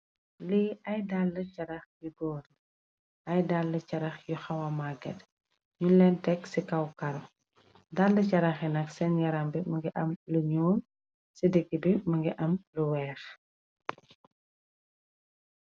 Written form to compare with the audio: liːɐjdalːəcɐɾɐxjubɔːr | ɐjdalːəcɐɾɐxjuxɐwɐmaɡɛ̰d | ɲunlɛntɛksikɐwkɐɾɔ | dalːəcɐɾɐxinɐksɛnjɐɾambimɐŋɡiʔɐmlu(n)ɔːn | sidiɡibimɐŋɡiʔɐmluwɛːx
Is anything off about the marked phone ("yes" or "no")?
yes